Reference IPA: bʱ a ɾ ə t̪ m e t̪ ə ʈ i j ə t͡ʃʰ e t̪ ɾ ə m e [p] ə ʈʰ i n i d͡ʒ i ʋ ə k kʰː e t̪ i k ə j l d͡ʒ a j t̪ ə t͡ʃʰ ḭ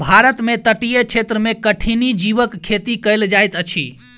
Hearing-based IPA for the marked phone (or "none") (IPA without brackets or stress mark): k